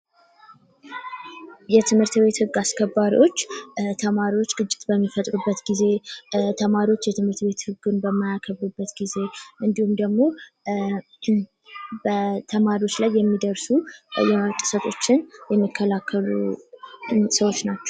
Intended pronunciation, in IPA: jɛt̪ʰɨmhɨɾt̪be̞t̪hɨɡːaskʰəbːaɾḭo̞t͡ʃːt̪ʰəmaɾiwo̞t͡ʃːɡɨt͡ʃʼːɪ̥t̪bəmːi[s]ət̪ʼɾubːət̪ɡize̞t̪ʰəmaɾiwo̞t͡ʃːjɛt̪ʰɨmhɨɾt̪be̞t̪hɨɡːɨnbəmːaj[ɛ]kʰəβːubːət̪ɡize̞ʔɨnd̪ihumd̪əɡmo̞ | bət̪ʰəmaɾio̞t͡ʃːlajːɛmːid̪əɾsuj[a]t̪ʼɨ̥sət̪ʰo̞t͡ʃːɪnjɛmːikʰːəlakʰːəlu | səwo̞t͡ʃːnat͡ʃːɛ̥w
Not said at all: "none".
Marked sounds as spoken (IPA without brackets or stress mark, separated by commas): f, a, ɛ